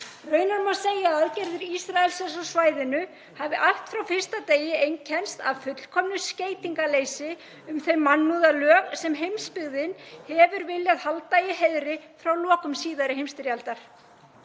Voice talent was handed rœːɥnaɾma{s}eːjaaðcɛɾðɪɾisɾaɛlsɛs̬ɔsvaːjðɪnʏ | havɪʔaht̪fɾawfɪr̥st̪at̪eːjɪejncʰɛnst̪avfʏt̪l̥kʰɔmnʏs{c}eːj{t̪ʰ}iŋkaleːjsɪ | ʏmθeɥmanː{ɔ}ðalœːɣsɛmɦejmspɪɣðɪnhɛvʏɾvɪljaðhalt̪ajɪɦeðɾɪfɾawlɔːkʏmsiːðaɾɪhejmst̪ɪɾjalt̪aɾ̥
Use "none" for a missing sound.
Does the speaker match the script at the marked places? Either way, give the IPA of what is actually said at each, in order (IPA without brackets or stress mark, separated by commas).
s, c, t̪, u